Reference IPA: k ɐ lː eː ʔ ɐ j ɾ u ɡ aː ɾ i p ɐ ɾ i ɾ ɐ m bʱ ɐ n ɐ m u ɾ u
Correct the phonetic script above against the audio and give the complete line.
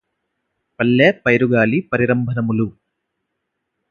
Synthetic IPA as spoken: p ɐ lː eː p ɐ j ɾ u ɡ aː l i p ɐ ɾ i ɾ ɐ m bʱ ɐ n ɐ m u l u